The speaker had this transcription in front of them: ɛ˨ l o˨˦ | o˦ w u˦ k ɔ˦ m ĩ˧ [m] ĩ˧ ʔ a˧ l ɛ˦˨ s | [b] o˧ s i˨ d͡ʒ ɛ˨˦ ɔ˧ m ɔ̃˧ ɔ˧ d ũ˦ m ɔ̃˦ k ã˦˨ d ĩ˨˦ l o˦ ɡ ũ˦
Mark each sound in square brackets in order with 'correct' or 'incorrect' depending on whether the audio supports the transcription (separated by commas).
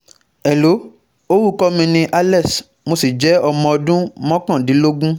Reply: incorrect, incorrect